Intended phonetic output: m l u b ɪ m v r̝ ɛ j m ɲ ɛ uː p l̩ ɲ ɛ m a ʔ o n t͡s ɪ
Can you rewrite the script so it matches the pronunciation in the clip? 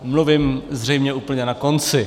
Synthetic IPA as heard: m l u v ɪ m z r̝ ɛ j m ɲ ɛ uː p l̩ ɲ ɛ n a k o n t͡s ɪ